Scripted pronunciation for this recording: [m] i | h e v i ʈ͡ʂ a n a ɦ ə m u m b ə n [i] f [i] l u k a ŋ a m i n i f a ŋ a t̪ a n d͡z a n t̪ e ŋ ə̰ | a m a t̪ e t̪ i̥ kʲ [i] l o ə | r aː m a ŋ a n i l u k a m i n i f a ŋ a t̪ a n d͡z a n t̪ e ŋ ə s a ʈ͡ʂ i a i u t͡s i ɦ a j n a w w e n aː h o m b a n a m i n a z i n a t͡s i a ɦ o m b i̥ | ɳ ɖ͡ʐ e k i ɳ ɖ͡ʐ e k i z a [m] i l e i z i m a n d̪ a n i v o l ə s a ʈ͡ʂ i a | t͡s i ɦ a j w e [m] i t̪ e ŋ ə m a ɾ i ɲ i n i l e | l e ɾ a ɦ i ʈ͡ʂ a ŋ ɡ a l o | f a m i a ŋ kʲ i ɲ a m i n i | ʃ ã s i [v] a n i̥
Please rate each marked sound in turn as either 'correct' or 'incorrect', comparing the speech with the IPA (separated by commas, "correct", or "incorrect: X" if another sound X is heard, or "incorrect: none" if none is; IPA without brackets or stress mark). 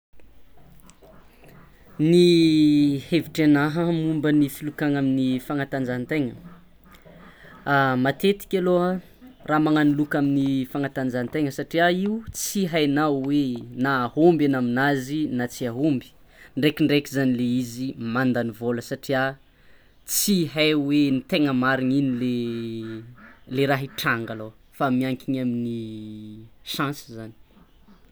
incorrect: n, correct, correct, incorrect: a, incorrect: n, incorrect: n, incorrect: z